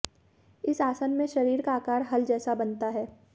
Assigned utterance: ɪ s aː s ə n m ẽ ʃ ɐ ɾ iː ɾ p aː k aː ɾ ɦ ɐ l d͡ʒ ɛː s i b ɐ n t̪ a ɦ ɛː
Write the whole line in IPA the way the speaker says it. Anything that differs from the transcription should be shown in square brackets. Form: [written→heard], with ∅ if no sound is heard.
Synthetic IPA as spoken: ɪ s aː s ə n m ẽ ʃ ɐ ɾ iː ɾ [p→k] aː k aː ɾ ɦ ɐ l d͡ʒ ɛː s [i→a] b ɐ n t̪ a ɦ ɛː